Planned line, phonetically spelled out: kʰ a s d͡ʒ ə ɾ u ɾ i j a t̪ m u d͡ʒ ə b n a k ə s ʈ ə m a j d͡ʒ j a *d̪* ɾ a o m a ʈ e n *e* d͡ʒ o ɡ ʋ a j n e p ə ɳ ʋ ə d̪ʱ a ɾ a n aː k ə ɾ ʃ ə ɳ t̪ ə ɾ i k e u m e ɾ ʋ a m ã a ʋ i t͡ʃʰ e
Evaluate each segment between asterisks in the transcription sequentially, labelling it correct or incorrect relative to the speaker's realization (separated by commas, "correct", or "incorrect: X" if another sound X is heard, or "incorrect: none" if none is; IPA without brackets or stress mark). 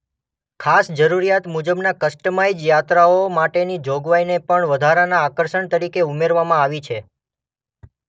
incorrect: t̪, incorrect: i